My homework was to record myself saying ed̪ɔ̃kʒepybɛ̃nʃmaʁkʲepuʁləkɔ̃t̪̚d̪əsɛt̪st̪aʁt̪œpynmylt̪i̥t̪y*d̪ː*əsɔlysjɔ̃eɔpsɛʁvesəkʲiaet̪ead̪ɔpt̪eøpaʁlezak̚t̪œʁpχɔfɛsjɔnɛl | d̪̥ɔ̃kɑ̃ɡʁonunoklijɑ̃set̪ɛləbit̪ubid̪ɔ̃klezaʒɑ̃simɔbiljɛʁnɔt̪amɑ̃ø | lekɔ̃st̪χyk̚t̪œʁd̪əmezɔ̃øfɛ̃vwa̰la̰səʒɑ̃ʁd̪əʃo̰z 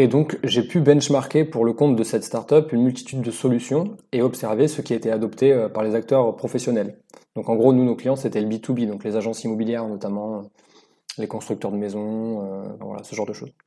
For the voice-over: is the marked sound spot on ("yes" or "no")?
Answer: yes